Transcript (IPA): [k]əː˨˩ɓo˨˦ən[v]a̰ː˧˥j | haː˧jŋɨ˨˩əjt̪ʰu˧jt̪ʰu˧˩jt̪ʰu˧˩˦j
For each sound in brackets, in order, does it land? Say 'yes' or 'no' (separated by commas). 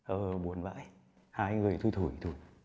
no, yes